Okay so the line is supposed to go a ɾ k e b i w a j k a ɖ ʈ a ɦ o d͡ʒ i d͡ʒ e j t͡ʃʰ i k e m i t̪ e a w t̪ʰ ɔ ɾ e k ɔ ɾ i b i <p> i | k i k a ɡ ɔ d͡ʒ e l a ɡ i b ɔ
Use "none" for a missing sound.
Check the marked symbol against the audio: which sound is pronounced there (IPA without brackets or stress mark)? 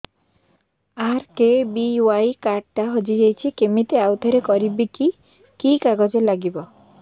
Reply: k